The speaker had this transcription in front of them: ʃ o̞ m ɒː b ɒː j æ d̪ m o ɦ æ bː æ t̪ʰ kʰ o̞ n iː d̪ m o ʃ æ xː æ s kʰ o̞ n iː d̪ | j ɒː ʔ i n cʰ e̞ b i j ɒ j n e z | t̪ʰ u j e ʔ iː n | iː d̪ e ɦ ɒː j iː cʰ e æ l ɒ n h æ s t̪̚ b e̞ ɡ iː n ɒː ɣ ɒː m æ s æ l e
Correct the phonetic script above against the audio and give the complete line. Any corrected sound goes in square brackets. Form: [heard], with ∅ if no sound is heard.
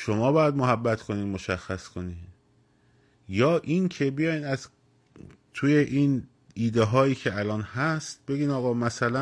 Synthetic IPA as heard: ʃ o̞ m ɒː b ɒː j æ d̪ m o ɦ æ bː æ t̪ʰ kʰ o̞ n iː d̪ m o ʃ æ xː æ s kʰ o̞ n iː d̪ | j ɒː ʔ i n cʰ e̞ b i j ɒ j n [æ] z | t̪ʰ u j e ʔ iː n | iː d̪ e ɦ ɒː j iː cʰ e æ l [ɒː] n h æ s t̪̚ b e̞ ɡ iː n ɒː ɣ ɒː m æ s æ l [æ]